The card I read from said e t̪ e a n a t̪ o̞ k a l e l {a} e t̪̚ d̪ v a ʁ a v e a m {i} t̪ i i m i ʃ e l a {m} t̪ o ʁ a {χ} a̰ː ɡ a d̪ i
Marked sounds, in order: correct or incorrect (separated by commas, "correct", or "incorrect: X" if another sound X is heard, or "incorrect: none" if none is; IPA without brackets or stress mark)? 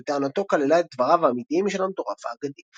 correct, correct, correct, incorrect: f